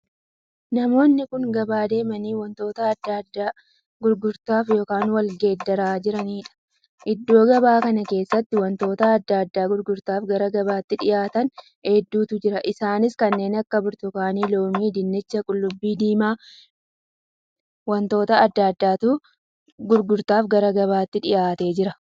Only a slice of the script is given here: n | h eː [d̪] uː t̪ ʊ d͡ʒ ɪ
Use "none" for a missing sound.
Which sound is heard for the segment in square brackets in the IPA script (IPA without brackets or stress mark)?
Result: d̪ː